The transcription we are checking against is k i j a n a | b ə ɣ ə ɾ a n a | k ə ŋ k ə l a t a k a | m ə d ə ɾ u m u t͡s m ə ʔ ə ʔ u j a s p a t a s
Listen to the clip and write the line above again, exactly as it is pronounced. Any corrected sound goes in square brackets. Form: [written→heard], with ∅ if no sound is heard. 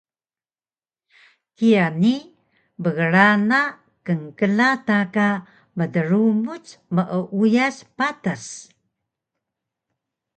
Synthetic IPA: k i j a n [a→i] | b ə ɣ ə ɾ a n a | k ə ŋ k ə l a t a k a | m ə d ə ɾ u m u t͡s m ə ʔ ə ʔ u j a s p a t a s